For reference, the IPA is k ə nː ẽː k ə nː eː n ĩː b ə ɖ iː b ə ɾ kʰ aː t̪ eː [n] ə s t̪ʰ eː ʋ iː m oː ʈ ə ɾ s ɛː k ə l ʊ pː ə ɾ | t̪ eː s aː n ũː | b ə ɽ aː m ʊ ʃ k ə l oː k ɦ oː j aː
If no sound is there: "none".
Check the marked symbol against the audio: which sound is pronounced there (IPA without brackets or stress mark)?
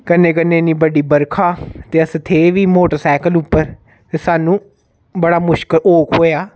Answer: none